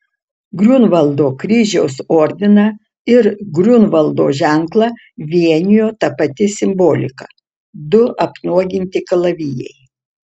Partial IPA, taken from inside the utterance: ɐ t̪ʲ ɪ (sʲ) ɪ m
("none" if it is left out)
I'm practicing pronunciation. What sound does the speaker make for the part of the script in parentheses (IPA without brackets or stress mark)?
sʲ